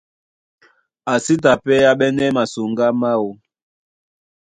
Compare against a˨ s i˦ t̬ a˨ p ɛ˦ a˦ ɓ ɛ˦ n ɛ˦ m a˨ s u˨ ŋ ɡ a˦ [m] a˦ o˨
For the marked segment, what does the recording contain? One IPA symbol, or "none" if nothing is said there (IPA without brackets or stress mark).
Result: m